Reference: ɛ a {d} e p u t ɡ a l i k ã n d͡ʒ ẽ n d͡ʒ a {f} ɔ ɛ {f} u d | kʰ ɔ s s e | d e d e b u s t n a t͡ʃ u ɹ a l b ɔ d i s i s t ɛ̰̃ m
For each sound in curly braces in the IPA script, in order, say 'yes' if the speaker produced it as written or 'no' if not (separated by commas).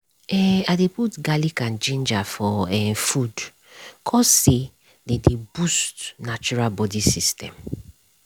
yes, yes, yes